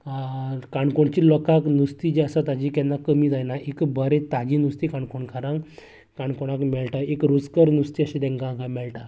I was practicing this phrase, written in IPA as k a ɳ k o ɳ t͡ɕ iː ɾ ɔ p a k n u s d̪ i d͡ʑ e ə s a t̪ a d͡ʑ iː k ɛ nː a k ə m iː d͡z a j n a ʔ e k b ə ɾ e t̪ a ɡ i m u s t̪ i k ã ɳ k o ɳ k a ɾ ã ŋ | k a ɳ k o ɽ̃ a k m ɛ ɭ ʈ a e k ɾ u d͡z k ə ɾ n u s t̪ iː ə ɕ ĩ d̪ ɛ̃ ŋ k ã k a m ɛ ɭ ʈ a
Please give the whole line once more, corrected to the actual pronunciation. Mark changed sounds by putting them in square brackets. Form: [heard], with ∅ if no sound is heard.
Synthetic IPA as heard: k a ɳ k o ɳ t͡ɕ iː [l] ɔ [k] a k n u s [t̪] i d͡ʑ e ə s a t̪ a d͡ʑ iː k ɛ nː a k ə m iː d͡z a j n a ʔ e k b ə ɾ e t̪ a ɡ i [n] u s t̪ i k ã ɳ k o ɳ k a ɾ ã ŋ | k a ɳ k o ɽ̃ a k m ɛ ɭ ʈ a e k ɾ u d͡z k ə ɾ n u s t̪ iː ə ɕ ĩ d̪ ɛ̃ ŋ k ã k a m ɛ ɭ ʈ a